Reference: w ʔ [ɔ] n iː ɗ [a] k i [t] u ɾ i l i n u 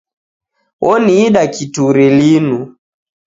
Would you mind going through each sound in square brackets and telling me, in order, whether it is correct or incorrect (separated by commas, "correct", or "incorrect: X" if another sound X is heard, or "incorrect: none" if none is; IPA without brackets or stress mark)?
correct, correct, correct